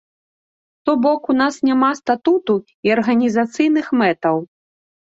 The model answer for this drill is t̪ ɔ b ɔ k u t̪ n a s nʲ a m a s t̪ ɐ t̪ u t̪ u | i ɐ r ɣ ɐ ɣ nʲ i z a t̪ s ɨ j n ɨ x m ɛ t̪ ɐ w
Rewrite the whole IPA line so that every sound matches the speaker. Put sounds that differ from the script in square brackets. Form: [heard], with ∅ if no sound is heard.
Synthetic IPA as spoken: t̪ ɔ b ɔ k u [∅] n a s nʲ a m a s t̪ [a] t̪ u t̪ u | i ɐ r ɣ ɐ [∅] nʲ i z a t̪ s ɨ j n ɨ x m ɛ t̪ ɐ w